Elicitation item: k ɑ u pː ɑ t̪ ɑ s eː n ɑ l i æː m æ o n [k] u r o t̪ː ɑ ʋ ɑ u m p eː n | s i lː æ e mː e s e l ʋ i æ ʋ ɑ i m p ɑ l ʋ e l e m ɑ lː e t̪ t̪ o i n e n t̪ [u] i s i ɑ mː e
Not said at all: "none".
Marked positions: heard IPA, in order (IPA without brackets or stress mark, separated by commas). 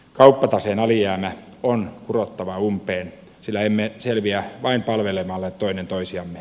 k, o